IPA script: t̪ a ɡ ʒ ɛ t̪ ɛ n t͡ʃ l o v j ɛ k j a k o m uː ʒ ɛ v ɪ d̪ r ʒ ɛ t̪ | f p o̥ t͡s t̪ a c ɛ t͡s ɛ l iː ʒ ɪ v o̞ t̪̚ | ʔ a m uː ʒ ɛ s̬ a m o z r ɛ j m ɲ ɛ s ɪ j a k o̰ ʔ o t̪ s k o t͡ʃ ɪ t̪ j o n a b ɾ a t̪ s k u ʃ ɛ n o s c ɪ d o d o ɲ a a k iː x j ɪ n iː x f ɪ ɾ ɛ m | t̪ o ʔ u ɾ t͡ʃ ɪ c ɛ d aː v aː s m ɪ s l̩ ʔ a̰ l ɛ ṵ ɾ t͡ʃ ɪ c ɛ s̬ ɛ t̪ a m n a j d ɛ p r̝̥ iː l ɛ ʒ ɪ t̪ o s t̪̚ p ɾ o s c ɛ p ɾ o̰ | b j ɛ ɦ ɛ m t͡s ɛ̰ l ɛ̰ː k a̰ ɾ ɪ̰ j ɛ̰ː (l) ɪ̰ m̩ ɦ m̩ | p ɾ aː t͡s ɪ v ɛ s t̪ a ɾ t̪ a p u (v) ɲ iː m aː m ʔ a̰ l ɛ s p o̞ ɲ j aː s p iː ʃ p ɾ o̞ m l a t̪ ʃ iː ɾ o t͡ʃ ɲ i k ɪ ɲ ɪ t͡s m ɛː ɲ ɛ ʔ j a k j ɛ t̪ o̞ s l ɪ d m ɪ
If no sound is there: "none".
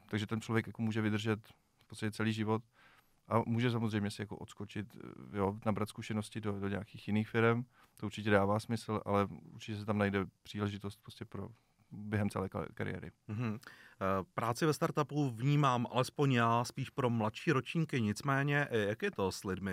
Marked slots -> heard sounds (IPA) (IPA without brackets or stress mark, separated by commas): ɾ, v